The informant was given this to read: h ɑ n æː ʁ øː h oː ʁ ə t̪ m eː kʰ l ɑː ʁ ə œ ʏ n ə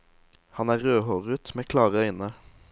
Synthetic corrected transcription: h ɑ n æː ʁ øː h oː ʁ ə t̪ m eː kʰ l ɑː ʁ ə œ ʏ n ə